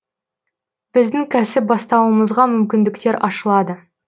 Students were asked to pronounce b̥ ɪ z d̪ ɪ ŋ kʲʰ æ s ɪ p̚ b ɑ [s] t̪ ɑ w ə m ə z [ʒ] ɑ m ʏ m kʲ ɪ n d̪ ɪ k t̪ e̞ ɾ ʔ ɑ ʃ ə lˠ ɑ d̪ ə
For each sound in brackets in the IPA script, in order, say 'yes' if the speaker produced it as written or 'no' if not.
yes, no

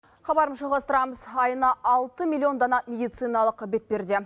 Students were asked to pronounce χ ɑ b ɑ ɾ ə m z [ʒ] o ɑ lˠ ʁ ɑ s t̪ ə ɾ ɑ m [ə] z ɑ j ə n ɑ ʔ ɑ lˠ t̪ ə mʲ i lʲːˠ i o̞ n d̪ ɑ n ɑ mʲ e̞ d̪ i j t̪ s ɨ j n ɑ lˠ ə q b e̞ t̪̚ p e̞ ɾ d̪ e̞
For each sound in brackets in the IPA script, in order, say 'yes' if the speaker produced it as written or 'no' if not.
yes, yes

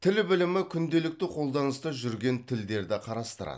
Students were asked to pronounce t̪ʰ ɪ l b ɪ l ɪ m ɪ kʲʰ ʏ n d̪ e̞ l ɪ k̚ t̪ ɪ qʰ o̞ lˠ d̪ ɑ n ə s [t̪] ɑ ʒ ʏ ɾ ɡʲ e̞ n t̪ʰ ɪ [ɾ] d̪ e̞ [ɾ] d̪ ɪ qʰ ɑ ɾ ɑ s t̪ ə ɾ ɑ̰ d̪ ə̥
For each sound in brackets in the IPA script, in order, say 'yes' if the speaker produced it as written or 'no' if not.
yes, no, yes

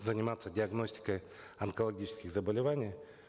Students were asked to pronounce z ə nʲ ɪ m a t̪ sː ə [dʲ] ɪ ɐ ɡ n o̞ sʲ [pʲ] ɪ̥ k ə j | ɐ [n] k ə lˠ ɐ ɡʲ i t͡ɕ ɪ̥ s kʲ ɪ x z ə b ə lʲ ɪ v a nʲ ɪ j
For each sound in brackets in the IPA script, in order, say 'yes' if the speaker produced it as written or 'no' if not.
yes, no, yes

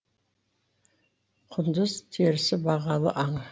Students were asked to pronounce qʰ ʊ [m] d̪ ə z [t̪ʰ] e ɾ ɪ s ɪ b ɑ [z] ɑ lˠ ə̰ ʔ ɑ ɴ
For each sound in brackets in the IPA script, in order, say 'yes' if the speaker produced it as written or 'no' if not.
no, yes, no

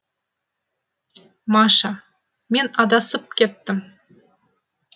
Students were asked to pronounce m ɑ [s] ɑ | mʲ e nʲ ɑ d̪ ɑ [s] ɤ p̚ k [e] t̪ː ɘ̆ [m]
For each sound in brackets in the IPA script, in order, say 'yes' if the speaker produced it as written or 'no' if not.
no, yes, yes, yes

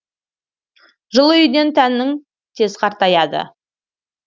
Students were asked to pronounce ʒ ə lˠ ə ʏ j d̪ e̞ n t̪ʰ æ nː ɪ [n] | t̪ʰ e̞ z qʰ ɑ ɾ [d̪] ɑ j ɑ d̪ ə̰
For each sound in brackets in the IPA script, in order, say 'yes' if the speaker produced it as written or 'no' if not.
no, no

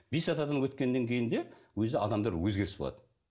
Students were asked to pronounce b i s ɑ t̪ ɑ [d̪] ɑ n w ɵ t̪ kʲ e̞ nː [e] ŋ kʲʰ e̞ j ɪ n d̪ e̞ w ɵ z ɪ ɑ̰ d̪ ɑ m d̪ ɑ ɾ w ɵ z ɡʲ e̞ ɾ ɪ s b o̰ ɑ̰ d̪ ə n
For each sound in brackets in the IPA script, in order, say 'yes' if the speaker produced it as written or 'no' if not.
yes, yes

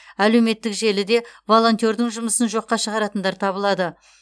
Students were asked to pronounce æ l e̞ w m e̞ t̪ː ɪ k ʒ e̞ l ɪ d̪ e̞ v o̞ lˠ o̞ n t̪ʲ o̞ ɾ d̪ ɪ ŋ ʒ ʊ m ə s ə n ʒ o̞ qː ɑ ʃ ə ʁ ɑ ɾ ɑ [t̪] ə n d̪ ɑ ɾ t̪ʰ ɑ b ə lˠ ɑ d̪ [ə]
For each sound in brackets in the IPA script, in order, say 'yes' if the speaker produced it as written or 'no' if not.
yes, yes

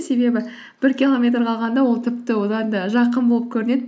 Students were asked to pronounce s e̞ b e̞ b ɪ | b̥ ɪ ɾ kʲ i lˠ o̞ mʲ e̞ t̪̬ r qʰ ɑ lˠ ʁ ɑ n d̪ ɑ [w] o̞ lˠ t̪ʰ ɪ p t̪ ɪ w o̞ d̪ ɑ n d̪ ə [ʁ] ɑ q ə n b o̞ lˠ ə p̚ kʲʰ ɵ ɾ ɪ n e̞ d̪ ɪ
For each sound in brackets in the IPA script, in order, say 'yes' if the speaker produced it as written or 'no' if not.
yes, no

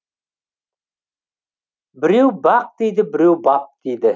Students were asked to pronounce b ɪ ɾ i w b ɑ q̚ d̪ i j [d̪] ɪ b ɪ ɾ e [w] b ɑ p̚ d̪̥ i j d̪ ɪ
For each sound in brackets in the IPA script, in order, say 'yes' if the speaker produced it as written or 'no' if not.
yes, yes

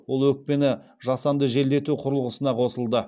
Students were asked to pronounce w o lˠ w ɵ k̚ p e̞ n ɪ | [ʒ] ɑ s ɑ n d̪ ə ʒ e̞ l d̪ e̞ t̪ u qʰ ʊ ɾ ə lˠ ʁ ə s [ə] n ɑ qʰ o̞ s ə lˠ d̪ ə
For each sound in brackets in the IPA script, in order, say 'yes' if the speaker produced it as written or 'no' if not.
yes, yes

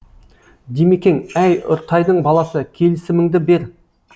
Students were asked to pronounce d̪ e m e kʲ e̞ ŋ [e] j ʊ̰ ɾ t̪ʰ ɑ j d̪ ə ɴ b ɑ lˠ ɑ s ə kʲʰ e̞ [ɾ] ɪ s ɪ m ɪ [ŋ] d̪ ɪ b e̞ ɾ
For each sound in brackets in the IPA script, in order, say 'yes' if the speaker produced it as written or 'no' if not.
no, no, yes

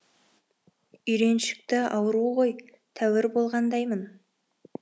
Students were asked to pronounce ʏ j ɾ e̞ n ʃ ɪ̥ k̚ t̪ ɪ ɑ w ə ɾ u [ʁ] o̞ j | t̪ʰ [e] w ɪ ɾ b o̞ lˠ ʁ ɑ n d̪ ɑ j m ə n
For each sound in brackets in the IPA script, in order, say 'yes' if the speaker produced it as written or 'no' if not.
yes, no

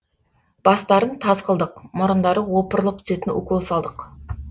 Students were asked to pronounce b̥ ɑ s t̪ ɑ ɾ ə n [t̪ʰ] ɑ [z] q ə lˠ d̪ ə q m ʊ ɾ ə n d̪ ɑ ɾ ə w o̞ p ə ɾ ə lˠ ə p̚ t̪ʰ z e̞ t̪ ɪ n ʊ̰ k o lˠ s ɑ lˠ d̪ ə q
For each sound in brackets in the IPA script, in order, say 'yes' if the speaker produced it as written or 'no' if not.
yes, yes

